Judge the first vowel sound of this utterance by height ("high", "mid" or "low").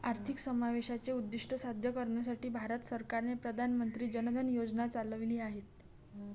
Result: low